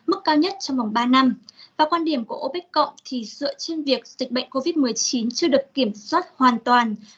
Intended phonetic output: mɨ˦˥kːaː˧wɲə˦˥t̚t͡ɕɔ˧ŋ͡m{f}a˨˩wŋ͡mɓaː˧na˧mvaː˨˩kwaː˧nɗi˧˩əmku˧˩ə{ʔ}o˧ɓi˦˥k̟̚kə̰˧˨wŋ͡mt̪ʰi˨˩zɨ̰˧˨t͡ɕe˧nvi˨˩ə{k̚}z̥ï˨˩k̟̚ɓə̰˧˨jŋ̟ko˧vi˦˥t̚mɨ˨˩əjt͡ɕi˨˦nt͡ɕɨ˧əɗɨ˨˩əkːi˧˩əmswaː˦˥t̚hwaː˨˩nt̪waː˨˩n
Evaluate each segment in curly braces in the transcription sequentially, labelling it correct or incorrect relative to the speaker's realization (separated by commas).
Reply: incorrect, correct, correct